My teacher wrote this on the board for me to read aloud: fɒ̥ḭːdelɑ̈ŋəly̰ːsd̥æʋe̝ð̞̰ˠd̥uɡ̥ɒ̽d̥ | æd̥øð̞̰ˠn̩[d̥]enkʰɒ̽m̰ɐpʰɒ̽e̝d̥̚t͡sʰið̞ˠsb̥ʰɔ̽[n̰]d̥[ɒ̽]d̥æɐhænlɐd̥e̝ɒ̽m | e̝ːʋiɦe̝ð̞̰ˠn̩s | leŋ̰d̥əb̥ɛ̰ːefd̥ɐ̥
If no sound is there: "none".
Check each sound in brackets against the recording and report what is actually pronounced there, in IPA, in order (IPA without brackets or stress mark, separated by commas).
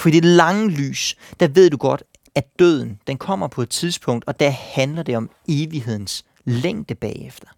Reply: d̥, ŋ̰, ɒ̽